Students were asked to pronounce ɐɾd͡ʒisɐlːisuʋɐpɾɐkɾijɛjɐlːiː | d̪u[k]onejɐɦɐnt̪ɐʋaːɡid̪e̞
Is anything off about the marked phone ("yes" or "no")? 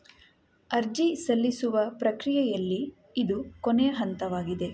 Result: no